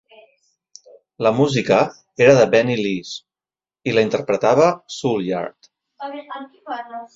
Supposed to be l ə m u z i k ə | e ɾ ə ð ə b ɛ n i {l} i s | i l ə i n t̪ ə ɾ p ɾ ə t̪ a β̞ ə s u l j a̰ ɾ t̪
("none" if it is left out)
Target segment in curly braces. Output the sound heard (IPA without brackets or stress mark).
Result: l